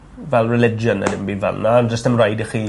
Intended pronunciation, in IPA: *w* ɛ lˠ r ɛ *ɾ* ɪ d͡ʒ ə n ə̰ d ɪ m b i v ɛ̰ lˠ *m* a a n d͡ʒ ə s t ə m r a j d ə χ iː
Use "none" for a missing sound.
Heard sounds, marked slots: v, l, n

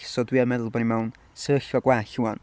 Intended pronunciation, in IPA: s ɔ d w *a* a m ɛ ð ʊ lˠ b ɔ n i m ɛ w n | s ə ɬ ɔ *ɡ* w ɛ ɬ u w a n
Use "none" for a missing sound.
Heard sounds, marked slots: i, ɡ

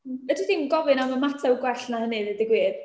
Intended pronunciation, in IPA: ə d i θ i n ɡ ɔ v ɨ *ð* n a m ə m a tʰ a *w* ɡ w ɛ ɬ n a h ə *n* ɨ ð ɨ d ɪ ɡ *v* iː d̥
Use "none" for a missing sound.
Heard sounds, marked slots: none, w, n, w

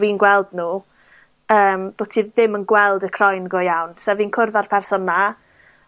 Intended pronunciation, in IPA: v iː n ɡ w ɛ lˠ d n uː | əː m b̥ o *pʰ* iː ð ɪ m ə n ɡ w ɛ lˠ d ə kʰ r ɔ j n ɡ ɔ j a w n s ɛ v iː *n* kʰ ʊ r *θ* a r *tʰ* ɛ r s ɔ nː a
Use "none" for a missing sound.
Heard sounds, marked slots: tʰ, n, ð, pʰ

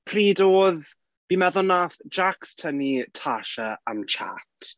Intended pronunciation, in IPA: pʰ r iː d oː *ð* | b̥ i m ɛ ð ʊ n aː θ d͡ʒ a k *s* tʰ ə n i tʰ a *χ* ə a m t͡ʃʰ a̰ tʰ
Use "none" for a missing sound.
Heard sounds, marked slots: ð, s, ʃ

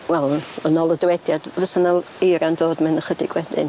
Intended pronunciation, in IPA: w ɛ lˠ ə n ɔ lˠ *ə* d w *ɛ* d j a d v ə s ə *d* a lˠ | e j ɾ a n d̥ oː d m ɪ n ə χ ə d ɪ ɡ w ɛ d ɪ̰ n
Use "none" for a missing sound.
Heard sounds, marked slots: ə, ɛ, n

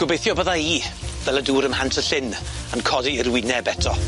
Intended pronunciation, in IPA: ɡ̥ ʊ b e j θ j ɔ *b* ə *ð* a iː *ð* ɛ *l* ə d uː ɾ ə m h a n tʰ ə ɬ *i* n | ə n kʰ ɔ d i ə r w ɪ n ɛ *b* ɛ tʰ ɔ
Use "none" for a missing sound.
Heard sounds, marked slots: b, ð, v, l, ɪ, b

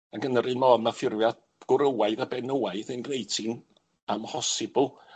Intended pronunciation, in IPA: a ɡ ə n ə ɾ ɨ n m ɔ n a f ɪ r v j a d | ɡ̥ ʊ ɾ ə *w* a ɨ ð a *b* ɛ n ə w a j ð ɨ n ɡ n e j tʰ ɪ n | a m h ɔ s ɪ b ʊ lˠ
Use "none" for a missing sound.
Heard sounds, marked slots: w, b

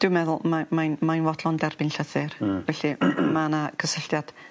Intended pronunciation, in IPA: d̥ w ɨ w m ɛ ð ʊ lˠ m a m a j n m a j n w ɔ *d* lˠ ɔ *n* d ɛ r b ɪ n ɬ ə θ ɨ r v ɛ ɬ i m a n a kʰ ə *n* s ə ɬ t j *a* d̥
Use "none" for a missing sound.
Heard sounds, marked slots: d, n, none, a

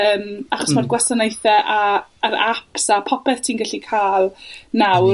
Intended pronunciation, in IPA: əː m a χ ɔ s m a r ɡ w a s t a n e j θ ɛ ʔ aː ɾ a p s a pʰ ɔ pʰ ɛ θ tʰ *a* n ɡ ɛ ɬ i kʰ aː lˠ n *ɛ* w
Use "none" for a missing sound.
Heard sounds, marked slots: i, a

